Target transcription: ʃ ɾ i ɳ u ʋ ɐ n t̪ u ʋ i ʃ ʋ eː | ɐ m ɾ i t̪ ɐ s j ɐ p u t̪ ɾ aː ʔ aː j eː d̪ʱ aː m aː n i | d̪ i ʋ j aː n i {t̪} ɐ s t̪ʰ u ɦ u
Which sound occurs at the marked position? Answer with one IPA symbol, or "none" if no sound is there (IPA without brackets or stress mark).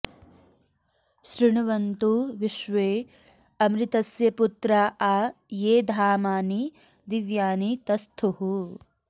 t̪